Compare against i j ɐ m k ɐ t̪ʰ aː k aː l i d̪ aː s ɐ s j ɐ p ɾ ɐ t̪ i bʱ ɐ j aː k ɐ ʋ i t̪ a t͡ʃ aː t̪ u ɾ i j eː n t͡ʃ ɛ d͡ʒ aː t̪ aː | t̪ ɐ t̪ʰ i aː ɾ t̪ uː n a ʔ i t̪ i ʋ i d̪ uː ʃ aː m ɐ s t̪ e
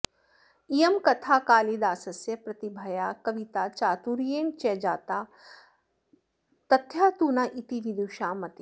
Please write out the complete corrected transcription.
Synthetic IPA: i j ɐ m k ɐ t̪ʰ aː k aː l i d̪ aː s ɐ s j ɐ p ɾ ɐ t̪ i bʱ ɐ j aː k ɐ ʋ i t̪ a t͡ʃ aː t̪ u ɾ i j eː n t͡ʃ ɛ d͡ʒ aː t̪ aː | t̪ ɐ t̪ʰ j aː t̪ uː n a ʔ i t̪ i ʋ i d̪ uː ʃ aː m ɐ t̪ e